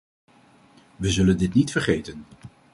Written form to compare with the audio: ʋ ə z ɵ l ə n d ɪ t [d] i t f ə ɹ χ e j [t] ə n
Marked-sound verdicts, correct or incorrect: incorrect: n, correct

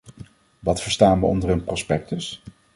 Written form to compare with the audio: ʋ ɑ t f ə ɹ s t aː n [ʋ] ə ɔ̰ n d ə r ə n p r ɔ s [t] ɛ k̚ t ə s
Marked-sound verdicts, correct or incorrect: correct, incorrect: p

